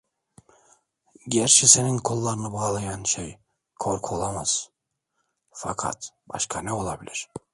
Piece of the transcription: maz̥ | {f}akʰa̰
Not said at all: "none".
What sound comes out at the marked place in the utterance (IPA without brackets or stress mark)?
f